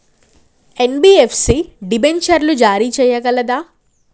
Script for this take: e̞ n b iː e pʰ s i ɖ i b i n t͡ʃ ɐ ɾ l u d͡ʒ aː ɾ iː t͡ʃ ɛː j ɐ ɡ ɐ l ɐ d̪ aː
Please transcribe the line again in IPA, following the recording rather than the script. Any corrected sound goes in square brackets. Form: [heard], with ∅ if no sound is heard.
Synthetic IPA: e̞ n b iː e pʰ s i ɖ i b [e] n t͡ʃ ɐ ɾ l u d͡ʒ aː ɾ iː t͡ʃ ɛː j ɐ ɡ ɐ l ɐ d̪ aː